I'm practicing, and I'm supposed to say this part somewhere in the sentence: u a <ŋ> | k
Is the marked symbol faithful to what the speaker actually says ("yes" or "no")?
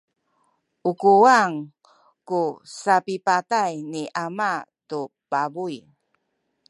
yes